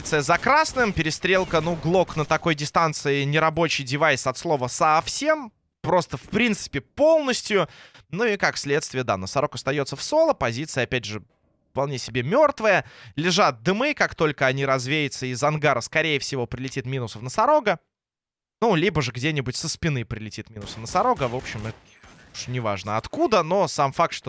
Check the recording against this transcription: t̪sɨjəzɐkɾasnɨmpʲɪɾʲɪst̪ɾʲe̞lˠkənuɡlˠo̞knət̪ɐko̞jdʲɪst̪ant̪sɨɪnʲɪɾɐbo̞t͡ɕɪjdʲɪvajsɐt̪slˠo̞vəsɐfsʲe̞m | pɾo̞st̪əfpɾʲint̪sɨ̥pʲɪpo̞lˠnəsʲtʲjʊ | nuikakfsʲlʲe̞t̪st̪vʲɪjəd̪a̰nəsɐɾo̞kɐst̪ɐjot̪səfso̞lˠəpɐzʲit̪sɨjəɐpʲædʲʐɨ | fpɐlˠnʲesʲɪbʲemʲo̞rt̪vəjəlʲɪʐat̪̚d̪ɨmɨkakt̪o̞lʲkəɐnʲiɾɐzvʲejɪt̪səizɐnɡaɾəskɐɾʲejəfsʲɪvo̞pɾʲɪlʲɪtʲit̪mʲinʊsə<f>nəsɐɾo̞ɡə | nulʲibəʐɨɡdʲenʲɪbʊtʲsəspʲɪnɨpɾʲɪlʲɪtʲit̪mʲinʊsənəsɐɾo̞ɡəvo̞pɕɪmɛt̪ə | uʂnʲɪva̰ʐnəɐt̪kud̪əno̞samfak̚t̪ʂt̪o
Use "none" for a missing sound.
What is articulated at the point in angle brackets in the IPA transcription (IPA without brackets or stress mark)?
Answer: f